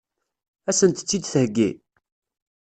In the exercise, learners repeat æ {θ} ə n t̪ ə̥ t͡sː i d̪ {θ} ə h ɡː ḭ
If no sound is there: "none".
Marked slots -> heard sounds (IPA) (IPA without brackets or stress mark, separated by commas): s, θ